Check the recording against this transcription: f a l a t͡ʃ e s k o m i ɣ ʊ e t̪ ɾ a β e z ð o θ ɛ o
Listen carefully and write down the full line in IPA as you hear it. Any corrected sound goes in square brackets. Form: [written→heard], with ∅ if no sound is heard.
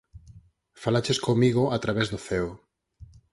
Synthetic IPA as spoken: f a l a t͡ʃ e s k o m i ɣ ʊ [e→a] t̪ ɾ a β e z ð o θ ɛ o